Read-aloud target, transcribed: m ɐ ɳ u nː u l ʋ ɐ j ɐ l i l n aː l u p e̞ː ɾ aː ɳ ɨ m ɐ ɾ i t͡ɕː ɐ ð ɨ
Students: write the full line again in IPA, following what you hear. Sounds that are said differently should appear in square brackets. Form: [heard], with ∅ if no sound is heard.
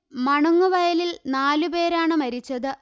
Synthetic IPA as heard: m ɐ ɳ u [ŋː] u [∅] ʋ ɐ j ɐ l i l n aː l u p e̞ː ɾ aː ɳ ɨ m ɐ ɾ i t͡ɕː ɐ ð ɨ